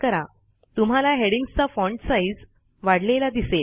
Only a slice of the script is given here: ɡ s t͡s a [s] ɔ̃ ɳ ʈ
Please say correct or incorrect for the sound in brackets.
incorrect